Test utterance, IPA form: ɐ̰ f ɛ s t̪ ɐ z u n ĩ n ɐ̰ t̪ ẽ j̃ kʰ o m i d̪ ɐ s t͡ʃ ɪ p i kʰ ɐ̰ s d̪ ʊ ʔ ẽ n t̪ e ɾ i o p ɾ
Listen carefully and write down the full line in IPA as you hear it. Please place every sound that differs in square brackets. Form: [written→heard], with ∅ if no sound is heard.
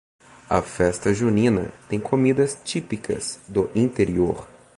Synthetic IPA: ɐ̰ f ɛ s t̪ ɐ [z→ʒ] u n ĩ n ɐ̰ t̪ ẽ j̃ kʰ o m i d̪ ɐ s t͡ʃ [ɪ→i] p i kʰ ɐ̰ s d̪ ʊ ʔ [ẽ→ĩ] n t̪ e ɾ i o [p→∅] ɾ